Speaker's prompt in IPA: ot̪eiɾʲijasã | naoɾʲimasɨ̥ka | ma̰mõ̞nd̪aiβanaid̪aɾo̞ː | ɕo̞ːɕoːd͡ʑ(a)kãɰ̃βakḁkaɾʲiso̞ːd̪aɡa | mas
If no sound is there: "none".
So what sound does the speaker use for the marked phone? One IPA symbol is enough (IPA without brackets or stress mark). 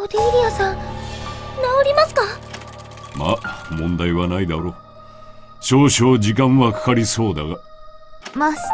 i